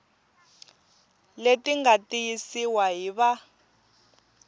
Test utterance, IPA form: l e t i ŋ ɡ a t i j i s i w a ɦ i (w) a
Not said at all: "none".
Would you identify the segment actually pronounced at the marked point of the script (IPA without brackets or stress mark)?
β